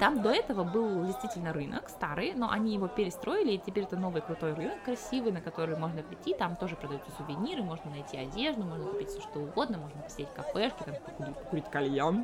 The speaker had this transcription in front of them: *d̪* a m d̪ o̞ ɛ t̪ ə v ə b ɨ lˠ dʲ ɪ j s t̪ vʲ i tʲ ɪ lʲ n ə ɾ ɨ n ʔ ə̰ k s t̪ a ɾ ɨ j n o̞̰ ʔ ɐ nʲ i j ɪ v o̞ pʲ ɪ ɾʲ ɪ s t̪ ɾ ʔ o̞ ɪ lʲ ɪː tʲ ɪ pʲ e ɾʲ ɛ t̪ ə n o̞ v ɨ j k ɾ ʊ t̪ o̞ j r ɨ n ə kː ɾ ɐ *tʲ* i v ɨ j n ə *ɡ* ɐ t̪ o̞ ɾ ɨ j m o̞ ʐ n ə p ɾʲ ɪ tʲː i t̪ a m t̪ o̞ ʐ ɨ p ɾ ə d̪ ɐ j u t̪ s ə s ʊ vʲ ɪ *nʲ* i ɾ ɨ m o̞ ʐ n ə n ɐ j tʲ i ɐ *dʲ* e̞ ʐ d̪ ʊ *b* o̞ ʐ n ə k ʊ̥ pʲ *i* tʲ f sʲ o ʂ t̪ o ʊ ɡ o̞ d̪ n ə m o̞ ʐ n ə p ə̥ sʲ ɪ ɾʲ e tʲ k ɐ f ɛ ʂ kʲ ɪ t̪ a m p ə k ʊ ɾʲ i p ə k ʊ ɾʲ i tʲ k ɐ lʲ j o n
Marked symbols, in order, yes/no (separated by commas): no, no, no, yes, yes, no, yes